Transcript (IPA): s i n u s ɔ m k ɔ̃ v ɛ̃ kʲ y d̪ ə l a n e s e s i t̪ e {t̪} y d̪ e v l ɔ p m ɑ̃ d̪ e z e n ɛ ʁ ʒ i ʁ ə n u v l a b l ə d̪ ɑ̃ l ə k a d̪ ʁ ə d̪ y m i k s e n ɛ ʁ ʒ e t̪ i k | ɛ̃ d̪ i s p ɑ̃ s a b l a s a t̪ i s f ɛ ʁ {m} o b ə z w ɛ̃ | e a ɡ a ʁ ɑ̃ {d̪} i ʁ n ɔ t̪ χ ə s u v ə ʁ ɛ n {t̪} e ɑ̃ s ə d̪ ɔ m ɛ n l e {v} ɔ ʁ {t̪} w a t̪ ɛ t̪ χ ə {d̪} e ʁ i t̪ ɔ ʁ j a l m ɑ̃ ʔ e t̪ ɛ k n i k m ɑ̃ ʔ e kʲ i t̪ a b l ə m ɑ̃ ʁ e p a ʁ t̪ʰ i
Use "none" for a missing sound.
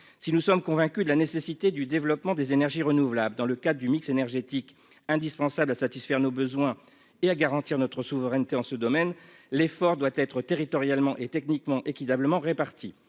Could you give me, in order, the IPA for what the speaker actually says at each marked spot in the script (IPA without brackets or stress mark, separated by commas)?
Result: d̪, n, t̪, t̪, f, d̪, t̪